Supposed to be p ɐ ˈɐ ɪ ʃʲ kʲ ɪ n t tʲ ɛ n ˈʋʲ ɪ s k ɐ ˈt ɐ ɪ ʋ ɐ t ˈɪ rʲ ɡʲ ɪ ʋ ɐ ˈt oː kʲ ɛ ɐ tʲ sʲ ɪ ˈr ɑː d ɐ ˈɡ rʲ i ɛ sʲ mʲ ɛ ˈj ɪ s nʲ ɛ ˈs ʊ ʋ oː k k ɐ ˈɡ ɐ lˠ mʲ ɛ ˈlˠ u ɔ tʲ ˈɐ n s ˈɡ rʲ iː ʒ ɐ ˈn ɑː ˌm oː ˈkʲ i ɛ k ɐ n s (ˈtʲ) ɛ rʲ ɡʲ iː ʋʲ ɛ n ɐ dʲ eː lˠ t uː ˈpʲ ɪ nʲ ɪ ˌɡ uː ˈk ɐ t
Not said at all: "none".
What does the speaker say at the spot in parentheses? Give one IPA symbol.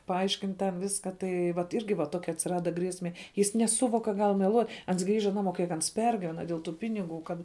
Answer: pʲ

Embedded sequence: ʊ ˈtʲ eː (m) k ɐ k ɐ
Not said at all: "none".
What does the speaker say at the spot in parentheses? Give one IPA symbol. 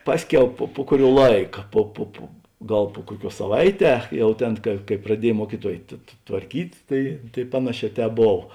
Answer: n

